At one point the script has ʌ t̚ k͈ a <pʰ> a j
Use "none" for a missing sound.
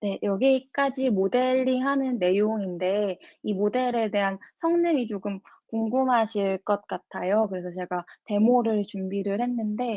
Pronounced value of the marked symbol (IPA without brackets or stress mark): tʰ